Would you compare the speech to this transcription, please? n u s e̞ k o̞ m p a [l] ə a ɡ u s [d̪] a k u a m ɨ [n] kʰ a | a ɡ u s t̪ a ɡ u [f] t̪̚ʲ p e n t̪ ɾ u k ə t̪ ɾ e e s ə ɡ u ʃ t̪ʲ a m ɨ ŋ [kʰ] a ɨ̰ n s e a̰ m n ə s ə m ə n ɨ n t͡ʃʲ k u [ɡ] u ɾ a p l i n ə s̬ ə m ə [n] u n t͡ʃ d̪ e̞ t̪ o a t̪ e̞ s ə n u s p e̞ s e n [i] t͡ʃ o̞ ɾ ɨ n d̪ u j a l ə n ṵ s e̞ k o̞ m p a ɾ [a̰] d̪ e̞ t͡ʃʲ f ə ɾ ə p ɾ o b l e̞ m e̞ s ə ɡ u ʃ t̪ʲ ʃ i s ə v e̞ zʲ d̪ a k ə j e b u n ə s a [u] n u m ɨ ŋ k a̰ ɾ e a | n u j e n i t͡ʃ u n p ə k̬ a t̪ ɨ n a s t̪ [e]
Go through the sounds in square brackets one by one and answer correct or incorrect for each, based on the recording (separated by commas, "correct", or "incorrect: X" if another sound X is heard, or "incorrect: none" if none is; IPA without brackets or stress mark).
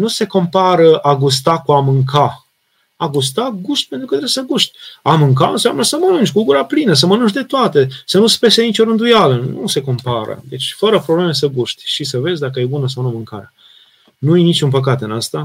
incorrect: ɾ, incorrect: t̪, incorrect: ŋ, incorrect: ʃ, incorrect: k, correct, correct, correct, incorrect: ə̰, incorrect: w, incorrect: a